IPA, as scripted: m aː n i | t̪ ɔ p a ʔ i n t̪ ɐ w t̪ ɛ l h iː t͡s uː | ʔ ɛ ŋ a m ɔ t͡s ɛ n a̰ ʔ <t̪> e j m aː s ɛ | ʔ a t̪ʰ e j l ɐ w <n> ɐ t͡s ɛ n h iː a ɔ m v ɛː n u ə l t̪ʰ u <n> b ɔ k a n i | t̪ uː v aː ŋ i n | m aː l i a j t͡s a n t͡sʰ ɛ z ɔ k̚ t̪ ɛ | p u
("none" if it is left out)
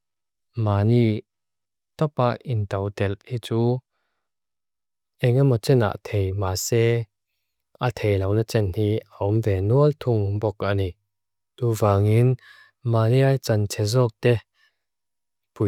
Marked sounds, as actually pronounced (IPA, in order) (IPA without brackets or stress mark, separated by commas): t̪ʰ, n, ŋ